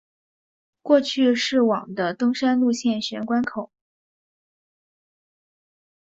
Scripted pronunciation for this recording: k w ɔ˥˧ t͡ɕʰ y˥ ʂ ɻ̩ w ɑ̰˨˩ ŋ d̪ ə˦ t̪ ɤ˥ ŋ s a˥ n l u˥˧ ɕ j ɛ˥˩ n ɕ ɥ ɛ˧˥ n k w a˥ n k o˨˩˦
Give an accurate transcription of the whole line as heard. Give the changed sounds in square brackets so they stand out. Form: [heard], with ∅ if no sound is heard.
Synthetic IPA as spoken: k w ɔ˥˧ t͡ɕʰ [y˥˧] ʂ ɻ̩ w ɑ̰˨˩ ŋ d̪ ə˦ t̪ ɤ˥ ŋ [ʂ] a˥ n l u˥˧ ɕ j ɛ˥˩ n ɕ ɥ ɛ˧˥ n k w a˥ n [kʰ] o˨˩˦